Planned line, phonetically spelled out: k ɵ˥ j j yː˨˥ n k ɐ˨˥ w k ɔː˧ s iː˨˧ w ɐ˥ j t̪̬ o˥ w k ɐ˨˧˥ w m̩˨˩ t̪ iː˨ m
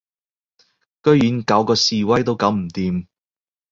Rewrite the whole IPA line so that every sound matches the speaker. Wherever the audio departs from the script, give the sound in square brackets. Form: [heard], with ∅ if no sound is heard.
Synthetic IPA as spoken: k ɵ˥ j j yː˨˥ n k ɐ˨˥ w k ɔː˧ s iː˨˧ w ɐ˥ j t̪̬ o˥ w k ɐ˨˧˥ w m̩˨˩ t̪ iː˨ m

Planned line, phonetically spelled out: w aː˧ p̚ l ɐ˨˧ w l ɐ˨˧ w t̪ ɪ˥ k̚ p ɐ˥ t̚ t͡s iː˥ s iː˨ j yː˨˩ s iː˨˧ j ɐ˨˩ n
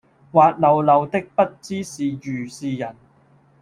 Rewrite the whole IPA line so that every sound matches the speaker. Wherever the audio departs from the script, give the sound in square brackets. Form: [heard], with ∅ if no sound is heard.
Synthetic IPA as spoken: w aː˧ [t̚] l ɐ˨˧ w l ɐ˨˧ w t̪ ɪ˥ k̚ p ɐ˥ t̚ t͡s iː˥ s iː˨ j yː˨˩ s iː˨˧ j ɐ˨˩ n

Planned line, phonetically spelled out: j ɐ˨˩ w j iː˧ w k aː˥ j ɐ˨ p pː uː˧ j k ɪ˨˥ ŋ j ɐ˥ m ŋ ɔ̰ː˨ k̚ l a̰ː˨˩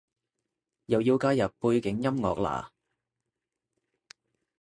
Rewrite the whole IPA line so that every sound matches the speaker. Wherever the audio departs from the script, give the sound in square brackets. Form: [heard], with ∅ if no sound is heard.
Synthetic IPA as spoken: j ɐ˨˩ w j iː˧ w k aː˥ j ɐ˨ p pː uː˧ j k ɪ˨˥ ŋ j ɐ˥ m ŋ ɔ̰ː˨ k̚ l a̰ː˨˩

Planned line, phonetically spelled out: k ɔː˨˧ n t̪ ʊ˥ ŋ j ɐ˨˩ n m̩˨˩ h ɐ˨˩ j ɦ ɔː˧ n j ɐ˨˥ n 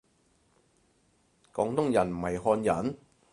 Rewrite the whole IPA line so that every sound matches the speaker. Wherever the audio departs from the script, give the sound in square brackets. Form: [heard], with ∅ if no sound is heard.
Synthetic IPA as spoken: k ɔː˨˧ [ŋ] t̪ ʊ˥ ŋ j ɐ˨˩ n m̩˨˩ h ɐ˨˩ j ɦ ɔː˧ n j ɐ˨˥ n

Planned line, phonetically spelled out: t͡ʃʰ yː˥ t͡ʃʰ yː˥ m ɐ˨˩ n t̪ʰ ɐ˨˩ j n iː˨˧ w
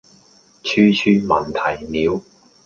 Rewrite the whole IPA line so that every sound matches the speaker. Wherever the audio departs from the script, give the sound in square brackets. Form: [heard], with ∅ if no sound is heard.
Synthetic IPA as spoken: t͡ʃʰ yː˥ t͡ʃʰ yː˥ m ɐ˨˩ n t̪ʰ ɐ˨˩ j n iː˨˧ w

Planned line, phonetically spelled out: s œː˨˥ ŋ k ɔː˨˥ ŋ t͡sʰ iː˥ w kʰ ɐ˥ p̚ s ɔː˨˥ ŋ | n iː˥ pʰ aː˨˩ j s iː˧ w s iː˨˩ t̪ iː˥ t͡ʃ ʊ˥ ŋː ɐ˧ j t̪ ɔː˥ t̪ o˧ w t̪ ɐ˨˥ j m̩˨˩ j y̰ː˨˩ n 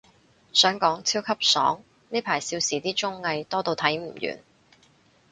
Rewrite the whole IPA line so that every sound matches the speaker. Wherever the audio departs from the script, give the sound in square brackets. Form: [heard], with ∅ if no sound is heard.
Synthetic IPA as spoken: s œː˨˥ ŋ k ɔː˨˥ ŋ t͡sʰ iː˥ w kʰ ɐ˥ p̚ s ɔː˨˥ ŋ | n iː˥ pʰ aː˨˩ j s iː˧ w s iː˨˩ t̪ iː˥ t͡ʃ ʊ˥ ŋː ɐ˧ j t̪ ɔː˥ t̪ o˧ w [t̪ʰ] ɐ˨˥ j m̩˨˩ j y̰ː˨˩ n

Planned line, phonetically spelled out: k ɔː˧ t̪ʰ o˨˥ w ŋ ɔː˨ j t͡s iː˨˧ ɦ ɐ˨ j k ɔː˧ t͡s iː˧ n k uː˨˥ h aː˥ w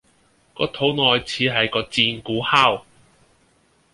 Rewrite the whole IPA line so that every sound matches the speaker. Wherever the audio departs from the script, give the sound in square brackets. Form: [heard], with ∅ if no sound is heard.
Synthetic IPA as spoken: k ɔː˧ t̪ʰ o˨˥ w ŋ ɔː˨ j [t͡sʰ] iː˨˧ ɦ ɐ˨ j k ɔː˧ t͡s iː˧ n k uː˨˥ h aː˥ w

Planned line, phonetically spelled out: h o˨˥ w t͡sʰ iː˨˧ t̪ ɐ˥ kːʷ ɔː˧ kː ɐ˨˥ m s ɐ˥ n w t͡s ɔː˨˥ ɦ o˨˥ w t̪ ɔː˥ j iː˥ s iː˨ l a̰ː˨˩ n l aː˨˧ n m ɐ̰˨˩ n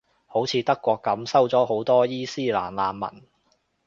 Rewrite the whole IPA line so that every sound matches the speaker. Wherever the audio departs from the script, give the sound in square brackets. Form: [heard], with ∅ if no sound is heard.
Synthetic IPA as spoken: h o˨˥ w t͡sʰ iː˨˧ t̪ ɐ˥ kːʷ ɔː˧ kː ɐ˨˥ m s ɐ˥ [∅] w t͡s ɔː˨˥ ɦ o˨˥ w t̪ ɔː˥ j iː˥ s [iː˥] l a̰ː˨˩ n l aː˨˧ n m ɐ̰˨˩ n

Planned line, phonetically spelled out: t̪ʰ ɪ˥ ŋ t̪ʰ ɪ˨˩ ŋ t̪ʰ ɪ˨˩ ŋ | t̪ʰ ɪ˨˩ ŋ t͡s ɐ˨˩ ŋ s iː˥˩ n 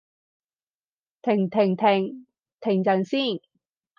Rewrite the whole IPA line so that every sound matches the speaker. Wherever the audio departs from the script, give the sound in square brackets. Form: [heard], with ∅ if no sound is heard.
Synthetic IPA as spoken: t̪ʰ [ɪ˨˩] ŋ t̪ʰ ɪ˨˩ ŋ t̪ʰ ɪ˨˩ ŋ | t̪ʰ ɪ˨˩ ŋ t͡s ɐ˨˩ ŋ s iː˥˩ n

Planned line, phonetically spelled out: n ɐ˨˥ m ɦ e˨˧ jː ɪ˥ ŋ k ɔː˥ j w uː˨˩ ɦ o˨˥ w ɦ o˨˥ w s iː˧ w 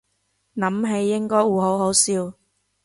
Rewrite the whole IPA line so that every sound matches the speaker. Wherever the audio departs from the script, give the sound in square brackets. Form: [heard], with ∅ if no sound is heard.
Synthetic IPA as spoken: n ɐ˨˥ m ɦ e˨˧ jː ɪ˥ ŋ k ɔː˥ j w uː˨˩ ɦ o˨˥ w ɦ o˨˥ w s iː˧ w

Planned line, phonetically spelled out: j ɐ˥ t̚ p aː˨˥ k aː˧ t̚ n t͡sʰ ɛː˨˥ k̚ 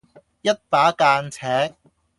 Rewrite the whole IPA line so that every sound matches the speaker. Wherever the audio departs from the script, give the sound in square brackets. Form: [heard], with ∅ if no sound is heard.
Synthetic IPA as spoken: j ɐ˥ t̚ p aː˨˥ k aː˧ [∅] n t͡sʰ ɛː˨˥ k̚

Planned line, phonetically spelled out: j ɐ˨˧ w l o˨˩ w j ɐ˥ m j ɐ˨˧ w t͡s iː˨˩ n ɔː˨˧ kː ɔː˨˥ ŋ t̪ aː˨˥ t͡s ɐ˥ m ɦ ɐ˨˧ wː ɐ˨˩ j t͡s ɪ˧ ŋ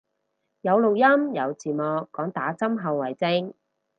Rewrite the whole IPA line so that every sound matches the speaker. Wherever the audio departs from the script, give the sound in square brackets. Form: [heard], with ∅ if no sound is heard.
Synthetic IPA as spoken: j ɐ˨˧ w l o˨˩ w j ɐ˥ m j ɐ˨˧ w t͡s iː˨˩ [m] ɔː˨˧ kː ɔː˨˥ ŋ t̪ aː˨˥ t͡s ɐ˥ m ɦ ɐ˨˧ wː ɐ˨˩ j t͡s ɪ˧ ŋ

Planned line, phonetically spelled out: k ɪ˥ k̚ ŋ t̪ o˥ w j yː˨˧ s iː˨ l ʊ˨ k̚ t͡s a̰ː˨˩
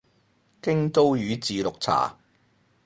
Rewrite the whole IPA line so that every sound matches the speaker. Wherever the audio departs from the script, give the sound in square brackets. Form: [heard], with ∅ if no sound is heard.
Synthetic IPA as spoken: k ɪ˥ [∅] ŋ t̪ o˥ w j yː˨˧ [t͡s] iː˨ l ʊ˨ k̚ [t͡sʰ] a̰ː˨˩

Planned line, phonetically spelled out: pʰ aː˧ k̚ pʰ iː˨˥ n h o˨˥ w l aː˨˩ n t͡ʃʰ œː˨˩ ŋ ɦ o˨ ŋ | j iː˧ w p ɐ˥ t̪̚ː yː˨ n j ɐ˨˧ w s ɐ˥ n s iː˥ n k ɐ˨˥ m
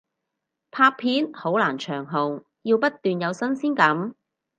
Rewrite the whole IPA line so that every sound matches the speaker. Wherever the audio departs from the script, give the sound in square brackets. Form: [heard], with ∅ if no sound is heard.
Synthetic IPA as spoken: pʰ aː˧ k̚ pʰ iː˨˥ n h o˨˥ w l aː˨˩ n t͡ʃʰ œː˨˩ ŋ ɦ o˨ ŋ | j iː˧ w p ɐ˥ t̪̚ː yː˨ n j ɐ˨˧ w s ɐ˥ n s iː˥ n k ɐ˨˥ m

